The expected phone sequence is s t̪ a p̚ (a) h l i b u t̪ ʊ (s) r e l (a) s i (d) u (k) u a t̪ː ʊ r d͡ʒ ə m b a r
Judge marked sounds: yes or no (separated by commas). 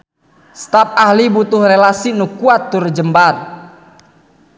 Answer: yes, no, yes, no, yes